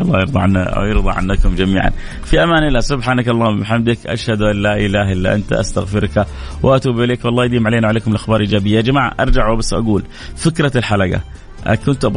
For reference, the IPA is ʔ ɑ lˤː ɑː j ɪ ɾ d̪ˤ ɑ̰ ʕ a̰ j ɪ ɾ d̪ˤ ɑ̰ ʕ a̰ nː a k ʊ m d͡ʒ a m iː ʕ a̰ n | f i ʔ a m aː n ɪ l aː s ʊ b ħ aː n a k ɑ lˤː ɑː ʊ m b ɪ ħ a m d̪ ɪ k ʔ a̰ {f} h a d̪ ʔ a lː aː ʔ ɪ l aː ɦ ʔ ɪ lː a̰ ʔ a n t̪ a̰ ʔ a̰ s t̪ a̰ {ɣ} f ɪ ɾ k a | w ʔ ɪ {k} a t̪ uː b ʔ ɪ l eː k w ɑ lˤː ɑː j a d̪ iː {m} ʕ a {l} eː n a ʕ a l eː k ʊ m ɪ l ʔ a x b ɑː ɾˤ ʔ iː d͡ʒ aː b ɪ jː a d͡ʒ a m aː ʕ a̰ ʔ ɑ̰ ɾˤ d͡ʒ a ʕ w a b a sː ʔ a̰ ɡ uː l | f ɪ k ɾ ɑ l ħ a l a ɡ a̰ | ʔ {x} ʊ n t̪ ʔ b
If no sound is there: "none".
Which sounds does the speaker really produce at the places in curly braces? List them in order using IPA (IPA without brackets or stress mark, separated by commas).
ʃ, ɣ, ʔ, m, l, k